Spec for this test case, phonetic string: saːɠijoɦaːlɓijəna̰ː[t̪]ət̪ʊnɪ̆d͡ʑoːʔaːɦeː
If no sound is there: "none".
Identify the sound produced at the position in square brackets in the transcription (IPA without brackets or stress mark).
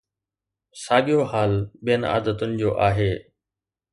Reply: d̪